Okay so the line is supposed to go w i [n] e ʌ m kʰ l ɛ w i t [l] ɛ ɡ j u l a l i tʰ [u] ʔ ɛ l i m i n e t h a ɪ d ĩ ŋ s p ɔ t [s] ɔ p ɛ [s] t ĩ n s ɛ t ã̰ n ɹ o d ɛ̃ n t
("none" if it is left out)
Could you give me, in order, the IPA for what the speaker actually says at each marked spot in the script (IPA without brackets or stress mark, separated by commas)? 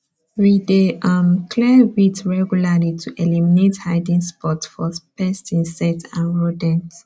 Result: d, ɹ, u, f, s